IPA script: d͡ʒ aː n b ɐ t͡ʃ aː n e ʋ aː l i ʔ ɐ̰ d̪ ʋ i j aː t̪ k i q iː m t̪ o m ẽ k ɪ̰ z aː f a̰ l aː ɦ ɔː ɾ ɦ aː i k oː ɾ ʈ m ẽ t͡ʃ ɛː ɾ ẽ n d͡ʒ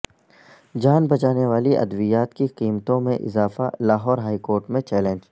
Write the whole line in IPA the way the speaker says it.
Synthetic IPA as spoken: d͡ʒ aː n b ɐ t͡ʃ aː n e ʋ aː l i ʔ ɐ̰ d̪ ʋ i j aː t̪ k i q iː m t̪ õ m ẽ ʔ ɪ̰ z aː f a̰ l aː ɦ ɔː ɾ ɦ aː i k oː ɾ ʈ m ẽ t͡ʃ ɛː l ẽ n d͡ʒ